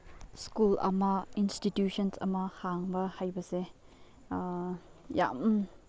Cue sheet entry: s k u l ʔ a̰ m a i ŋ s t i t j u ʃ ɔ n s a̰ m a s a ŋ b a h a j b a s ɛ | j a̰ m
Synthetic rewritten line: s k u l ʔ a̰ m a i n s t i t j u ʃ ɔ n s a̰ m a h a ŋ b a h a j b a s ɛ | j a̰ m